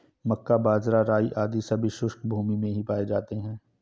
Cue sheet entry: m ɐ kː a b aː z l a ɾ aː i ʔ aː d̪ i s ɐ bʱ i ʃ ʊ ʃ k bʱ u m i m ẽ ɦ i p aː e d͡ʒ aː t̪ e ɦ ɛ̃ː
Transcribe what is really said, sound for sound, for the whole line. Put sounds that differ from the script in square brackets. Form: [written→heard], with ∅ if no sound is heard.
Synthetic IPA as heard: m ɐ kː a b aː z [l→ɾ] a ɾ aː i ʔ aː d̪ i s ɐ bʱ i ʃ ʊ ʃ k bʱ [u→uː] m i m ẽ ɦ i p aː e d͡ʒ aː t̪ e ɦ ɛ̃ː

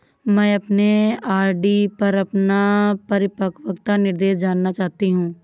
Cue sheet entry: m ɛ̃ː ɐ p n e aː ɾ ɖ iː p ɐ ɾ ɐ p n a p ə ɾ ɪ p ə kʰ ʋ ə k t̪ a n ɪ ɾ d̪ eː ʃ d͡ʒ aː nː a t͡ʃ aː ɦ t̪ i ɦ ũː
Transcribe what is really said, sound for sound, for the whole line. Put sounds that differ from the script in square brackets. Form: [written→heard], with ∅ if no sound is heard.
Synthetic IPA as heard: m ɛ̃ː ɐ p n e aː ɾ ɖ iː p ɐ ɾ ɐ p n a p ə ɾ ɪ p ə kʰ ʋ ə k t̪ a n ɪ ɾ d̪ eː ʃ d͡ʒ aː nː a t͡ʃ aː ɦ t̪ i ɦ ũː

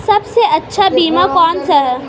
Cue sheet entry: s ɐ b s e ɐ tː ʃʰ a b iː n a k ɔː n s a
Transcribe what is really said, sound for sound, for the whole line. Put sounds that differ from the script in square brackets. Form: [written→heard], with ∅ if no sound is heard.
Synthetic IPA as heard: s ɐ b s e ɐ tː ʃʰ a b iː [n→m] a k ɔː n s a

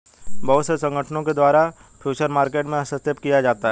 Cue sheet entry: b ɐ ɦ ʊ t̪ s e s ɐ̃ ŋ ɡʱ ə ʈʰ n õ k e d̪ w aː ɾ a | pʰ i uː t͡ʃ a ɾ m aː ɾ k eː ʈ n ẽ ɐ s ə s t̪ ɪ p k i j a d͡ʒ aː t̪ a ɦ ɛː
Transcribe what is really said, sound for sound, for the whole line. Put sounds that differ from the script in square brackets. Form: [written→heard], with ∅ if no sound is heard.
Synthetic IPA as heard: b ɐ ɦ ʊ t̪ s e s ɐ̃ ŋ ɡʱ ə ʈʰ n õ k e d̪ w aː ɾ a | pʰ [i→j] uː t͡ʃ [a→ə] ɾ m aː ɾ k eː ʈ [n→m] ẽ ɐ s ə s t̪ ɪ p k i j a d͡ʒ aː t̪ a ɦ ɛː

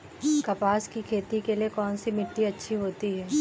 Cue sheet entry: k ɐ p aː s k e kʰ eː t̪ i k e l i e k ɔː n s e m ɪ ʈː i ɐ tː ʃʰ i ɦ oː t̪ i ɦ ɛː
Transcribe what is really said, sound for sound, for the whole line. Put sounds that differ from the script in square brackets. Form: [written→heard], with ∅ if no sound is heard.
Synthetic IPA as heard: k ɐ p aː s k [e→i] kʰ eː t̪ i k e l i e k ɔː n s [e→i] m ɪ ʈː i ɐ tː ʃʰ i ɦ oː t̪ i ɦ ɛː

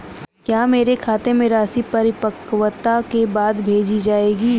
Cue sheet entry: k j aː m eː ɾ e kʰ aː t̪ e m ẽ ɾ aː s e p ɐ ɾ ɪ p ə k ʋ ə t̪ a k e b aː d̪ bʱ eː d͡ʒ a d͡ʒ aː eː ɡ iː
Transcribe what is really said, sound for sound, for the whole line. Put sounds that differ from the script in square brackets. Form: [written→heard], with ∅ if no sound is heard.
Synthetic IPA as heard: k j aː m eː ɾ e kʰ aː t̪ e m ẽ ɾ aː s [e→i] p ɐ ɾ ɪ p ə k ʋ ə t̪ a k e b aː d̪ bʱ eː d͡ʒ [a→i] d͡ʒ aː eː ɡ iː

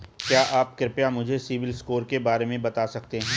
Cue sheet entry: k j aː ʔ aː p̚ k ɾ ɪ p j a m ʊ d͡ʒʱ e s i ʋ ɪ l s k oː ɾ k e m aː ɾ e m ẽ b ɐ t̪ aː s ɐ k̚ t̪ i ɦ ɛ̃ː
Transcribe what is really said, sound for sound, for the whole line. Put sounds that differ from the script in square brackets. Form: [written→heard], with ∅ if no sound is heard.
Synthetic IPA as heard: k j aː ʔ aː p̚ k ɾ ɪ p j a m ʊ d͡ʒʱ e s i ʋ ɪ l s k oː ɾ k e [m→b] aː ɾ e m ẽ b ɐ t̪ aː s ɐ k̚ t̪ [i→e] ɦ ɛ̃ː

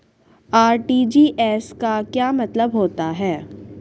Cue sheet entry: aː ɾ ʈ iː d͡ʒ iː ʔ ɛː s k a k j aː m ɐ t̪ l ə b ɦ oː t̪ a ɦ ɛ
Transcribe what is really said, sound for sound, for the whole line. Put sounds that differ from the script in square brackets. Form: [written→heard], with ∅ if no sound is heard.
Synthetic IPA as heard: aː ɾ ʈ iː d͡ʒ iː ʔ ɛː s k a k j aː m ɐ t̪ l ə b ɦ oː t̪ a ɦ [ɛ→ɛː]

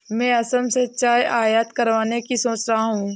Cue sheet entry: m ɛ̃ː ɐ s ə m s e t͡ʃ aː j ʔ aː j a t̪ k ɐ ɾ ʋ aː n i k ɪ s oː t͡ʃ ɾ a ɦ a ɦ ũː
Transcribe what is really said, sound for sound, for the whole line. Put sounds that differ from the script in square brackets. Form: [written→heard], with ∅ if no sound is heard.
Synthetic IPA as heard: m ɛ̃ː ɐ s ə m s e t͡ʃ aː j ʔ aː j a t̪ k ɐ ɾ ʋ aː n [i→e] k [ɪ→i] s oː t͡ʃ ɾ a ɦ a ɦ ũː

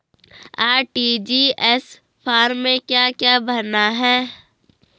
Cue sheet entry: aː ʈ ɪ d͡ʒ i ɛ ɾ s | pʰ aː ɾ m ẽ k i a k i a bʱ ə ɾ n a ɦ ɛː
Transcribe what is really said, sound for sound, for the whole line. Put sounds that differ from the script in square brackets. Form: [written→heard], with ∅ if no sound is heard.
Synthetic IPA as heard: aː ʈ [ɪ→i] d͡ʒ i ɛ [ɾ→∅] s | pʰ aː ɾ m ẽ k [i→j] a k [i→j] a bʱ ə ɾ n a ɦ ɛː

